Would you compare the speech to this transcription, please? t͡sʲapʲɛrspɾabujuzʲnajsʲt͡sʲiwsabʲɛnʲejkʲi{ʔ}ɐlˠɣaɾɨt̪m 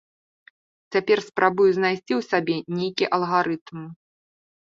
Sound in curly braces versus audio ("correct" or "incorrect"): correct